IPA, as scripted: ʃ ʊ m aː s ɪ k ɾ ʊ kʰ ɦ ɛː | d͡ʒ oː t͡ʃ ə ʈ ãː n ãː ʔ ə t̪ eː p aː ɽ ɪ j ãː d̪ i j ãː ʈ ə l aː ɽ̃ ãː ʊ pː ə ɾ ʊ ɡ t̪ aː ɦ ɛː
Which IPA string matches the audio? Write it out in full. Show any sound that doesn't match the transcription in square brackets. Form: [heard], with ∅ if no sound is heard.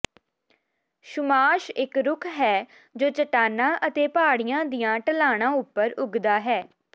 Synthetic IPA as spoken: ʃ ʊ m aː [ʃ] ɪ k ɾ ʊ kʰ ɦ ɛː | d͡ʒ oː t͡ʃ ə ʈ [aː] n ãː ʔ ə t̪ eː p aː ɽ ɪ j ãː d̪ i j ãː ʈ ə l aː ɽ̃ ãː ʊ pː ə ɾ ʊ ɡ [d̪] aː ɦ ɛː